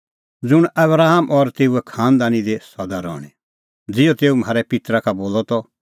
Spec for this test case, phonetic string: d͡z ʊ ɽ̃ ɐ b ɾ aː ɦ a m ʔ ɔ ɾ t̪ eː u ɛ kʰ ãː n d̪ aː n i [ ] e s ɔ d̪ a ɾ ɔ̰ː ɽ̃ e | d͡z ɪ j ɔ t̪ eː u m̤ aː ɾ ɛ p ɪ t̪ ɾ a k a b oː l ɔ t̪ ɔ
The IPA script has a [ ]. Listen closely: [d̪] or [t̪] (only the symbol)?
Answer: d̪